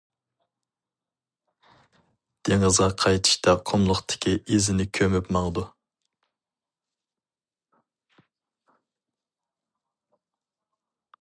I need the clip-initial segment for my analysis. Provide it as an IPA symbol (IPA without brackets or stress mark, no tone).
d̪̥